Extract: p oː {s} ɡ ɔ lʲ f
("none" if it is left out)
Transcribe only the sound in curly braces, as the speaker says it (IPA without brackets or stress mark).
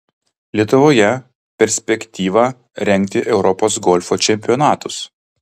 s